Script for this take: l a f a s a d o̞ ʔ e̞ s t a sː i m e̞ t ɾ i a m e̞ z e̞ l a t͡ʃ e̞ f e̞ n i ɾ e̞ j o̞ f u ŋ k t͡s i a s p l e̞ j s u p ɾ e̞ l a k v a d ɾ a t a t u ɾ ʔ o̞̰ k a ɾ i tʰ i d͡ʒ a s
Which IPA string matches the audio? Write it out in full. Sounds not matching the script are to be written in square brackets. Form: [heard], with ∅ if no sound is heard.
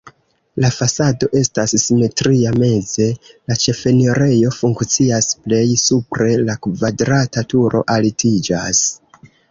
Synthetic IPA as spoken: l a f a s a d o̞ ʔ e̞ s t a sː i m e̞ t ɾ i a m e̞ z e̞ l a t͡ʃ e̞ f e̞ n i ɾ e̞ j o̞ f u ŋ k t͡s i a s p l e̞ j s u p ɾ e̞ l a k v a d ɾ a t a t u ɾ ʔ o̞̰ [ʔ] a [l] i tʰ i d͡ʒ a s